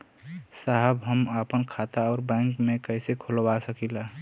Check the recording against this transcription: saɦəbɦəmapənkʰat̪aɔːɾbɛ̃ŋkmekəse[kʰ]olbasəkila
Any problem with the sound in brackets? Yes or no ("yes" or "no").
no